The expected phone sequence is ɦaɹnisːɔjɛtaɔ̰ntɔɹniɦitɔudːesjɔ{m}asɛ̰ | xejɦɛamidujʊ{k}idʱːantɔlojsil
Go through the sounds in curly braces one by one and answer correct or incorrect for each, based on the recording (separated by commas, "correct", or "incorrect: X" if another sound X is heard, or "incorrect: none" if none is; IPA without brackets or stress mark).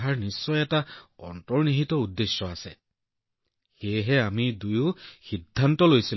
incorrect: none, incorrect: x